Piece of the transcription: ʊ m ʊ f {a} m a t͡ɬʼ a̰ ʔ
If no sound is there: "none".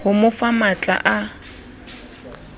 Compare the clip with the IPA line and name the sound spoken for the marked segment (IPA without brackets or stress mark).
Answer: a